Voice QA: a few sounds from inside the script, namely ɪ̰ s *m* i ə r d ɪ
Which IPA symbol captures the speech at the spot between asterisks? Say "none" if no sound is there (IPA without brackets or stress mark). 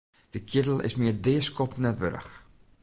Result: m